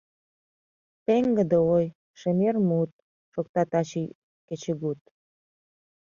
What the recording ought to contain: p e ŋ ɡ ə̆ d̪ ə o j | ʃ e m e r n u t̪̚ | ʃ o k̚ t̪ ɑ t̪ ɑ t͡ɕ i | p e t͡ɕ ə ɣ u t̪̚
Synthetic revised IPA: p e ŋ ɡ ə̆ d̪ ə o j | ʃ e m e r m u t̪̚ | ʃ o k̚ t̪ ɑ t̪ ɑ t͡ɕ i | k e t͡ɕ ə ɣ u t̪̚